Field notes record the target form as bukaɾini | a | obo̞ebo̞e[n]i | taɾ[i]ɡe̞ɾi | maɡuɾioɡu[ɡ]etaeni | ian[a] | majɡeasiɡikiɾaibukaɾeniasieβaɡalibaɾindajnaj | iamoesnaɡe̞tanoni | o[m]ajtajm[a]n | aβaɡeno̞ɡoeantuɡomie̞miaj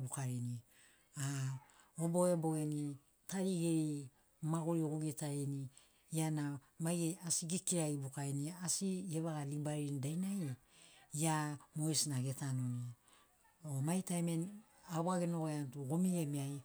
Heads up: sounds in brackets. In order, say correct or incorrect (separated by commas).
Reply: correct, correct, correct, correct, correct, incorrect